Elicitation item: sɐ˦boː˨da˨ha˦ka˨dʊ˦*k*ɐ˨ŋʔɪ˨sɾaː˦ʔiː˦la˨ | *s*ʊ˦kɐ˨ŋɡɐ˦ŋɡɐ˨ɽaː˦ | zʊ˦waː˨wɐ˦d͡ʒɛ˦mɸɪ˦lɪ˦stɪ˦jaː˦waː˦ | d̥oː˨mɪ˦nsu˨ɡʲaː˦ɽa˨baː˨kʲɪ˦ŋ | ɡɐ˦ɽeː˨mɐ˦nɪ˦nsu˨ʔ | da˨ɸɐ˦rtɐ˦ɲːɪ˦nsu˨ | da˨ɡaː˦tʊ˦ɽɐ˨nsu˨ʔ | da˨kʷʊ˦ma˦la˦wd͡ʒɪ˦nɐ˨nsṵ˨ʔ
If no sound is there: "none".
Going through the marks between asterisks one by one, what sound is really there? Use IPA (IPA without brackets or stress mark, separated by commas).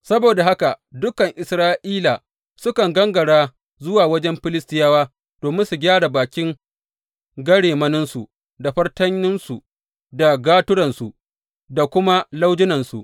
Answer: k, s